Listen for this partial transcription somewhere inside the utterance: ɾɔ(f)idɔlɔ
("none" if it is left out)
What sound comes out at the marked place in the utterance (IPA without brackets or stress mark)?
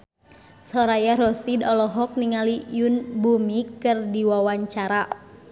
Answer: s